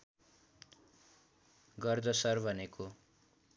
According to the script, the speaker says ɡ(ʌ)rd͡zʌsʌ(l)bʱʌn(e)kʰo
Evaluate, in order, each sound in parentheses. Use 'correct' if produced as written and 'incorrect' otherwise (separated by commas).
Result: correct, incorrect, correct